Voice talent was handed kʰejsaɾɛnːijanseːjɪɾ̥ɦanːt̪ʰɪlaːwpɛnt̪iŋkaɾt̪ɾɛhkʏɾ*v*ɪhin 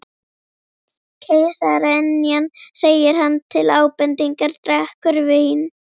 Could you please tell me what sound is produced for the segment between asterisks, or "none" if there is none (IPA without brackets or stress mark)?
v